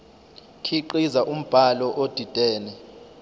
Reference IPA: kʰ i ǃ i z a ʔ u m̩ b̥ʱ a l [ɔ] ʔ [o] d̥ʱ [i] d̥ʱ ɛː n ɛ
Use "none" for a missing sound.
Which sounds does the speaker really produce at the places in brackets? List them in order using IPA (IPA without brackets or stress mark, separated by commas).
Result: ɔ, o, i